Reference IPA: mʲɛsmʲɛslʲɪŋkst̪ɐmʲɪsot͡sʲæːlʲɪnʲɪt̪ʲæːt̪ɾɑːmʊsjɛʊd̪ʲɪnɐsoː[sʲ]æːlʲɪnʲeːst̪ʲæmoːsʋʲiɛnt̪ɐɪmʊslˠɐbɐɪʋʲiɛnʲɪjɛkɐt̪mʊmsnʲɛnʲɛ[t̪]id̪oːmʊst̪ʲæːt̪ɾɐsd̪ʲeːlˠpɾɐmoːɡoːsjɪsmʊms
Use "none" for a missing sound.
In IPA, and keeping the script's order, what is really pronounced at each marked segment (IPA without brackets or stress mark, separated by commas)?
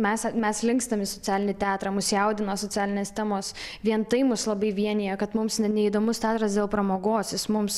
t͡sʲ, none